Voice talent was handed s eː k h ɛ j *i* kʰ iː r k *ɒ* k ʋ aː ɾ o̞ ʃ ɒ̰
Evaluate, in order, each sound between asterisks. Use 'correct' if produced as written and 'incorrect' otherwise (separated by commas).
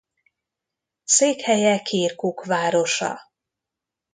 incorrect, incorrect